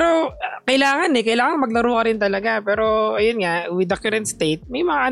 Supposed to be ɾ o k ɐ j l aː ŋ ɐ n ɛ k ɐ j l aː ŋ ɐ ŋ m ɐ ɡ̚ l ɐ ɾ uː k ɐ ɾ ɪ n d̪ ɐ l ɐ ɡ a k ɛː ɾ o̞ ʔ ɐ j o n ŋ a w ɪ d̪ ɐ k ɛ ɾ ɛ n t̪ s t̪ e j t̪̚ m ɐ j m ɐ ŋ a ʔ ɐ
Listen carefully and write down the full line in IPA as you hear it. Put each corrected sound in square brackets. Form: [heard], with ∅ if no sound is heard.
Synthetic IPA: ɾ o k ɐ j l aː ŋ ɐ n ɛ k ɐ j l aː ŋ ɐ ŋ m ɐ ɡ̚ l ɐ ɾ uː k ɐ ɾ ɪ n [t̪] ɐ l ɐ ɡ a [p] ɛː ɾ o̞ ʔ ɐ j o n ŋ a w ɪ d̪ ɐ k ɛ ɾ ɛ n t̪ s t̪ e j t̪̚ m ɐ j m ɐ ŋ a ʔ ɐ